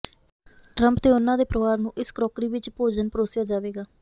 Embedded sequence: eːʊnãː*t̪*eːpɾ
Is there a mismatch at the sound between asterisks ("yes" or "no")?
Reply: yes